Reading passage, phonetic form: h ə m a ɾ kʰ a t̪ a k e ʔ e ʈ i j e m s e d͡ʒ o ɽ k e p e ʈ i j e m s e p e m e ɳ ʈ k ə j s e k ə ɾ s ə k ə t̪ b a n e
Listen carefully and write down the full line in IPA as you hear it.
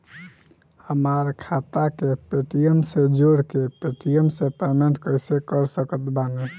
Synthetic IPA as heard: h ə m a ɾ kʰ a t̪ a k e p e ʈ i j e m s e d͡ʒ o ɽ k e p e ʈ i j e m s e p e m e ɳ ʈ k ə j s e k ə ɾ s ə k ə t̪ b a n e